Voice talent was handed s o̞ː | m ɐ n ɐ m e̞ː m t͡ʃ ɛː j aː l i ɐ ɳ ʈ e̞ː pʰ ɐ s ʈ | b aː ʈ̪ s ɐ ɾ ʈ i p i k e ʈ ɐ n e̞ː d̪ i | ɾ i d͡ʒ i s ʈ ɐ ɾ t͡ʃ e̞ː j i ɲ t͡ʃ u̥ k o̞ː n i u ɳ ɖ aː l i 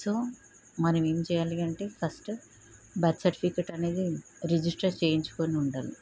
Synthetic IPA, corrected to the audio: s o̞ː | m ɐ n ɐ m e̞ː m t͡ʃ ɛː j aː l i ɐ ɳ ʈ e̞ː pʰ ɐ s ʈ | b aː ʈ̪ s ɐ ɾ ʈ i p i k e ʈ ɐ n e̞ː d̪ i | ɾ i d͡ʒ i s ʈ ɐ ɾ t͡ʃ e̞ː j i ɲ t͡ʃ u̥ k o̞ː n i u ɳ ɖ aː l i